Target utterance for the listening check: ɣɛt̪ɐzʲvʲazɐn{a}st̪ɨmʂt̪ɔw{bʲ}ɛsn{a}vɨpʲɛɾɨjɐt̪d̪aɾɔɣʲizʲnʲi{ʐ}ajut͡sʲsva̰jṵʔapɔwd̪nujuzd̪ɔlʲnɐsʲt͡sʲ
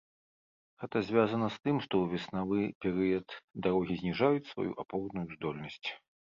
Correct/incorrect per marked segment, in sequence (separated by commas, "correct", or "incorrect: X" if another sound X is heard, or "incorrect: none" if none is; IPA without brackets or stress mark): incorrect: ɐ, incorrect: vʲ, correct, correct